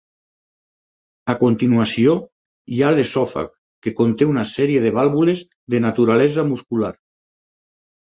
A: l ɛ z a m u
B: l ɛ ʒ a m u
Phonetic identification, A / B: A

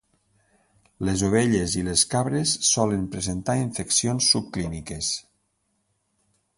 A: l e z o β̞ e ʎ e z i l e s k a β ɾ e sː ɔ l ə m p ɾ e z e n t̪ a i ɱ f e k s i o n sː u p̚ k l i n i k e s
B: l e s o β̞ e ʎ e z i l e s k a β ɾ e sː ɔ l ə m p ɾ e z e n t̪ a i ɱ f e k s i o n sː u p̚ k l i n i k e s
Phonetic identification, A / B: A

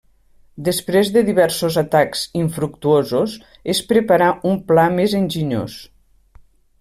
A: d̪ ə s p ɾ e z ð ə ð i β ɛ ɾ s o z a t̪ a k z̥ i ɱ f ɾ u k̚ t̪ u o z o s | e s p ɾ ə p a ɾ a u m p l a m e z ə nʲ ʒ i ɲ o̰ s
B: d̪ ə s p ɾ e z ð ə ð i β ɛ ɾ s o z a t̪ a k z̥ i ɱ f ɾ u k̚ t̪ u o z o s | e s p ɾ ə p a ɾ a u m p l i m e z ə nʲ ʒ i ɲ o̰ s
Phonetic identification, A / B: A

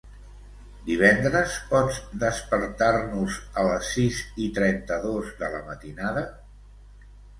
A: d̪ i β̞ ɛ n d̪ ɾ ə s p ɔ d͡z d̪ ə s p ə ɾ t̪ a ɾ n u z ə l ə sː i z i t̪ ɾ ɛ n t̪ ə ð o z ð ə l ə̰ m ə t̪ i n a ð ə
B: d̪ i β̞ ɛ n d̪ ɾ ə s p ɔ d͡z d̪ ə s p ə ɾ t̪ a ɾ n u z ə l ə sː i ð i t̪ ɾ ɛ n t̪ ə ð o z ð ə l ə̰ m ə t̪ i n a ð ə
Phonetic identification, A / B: A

